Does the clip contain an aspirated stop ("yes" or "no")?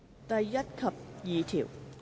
yes